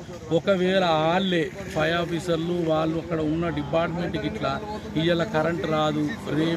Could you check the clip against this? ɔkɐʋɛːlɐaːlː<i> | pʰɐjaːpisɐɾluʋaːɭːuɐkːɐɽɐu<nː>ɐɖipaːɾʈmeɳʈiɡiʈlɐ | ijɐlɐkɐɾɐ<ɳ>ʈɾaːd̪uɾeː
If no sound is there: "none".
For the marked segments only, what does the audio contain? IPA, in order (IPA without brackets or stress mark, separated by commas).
e, nː, ɳ